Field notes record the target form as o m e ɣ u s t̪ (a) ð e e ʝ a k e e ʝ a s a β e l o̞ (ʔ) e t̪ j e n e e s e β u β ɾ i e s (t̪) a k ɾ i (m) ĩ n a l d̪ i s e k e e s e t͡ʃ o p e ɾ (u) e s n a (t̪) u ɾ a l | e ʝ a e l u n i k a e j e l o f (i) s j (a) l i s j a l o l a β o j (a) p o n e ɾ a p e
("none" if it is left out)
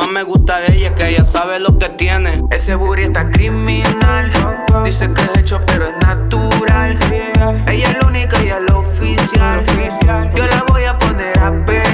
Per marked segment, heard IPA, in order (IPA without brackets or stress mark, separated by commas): a, k, t̪, m, o, t̪, i, a, a